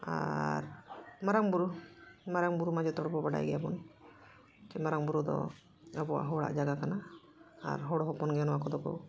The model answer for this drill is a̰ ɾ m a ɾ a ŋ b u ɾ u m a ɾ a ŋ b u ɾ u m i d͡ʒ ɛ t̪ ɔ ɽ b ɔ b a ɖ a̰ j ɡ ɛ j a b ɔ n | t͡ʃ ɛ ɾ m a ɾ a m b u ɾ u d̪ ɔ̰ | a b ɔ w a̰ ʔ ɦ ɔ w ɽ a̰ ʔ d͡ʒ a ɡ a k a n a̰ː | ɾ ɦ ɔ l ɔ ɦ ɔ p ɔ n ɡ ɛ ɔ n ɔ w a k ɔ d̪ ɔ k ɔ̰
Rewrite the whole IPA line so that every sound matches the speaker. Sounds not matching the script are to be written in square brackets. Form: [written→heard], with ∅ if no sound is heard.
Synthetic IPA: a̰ ɾ m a ɾ a ŋ b u ɾ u m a ɾ a ŋ b u ɾ u m [i→a] d͡ʒ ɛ t̪ ɔ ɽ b ɔ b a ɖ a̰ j ɡ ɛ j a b ɔ n | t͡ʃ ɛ [ɾ→∅] m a ɾ a [m→ŋ] b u ɾ u d̪ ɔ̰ | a b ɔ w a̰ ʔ ɦ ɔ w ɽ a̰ ʔ d͡ʒ a ɡ a k a n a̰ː | ɾ ɦ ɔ [l→ɽ] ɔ ɦ ɔ p ɔ n ɡ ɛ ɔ n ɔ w a k ɔ d̪ ɔ k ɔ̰